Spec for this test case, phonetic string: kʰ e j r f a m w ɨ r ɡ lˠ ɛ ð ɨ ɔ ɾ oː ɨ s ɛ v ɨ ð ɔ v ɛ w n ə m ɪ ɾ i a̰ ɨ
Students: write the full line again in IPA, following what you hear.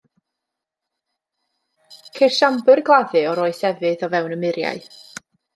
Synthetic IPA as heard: kʰ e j r ʃ a m b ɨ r ɡ lˠ a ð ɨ ɔ ɾ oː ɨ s ɛ v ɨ ð ɔ v ɛ w n ə m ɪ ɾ j a̰ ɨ